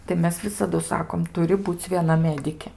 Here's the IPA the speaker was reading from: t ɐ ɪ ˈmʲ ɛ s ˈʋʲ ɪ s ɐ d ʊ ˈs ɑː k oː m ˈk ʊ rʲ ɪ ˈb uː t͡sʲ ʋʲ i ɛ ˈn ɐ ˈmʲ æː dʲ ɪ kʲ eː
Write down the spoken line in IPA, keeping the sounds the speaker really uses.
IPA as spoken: t ɐ ɪ ˈmʲ ɛ s ˈʋʲ ɪ s ɐ d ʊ ˈs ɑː k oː m ˈt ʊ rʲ ɪ ˈb uː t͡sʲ ʋʲ i ɛ ˈn ɐ ˈmʲ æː dʲ ɪ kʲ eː